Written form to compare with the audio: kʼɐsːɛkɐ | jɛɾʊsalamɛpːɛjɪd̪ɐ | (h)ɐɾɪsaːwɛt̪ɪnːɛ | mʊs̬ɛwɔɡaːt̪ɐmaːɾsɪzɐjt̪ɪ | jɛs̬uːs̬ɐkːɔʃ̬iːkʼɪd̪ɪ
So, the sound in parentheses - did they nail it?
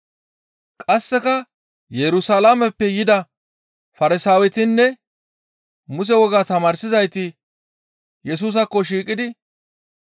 no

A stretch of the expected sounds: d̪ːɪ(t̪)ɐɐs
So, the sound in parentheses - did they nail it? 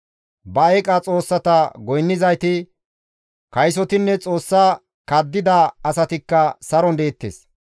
no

